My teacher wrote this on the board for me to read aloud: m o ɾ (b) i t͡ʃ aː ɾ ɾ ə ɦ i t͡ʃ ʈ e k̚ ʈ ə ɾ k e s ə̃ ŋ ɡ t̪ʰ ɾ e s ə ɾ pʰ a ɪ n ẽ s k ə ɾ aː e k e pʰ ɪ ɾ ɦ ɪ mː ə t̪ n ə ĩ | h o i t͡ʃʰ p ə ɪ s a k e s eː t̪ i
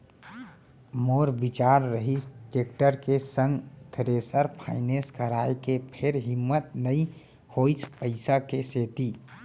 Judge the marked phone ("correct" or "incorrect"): correct